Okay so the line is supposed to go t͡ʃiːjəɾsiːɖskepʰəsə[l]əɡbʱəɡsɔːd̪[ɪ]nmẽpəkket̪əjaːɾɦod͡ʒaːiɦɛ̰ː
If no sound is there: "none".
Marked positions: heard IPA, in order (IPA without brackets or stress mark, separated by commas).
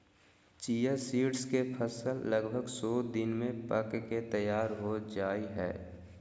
lː, ɪ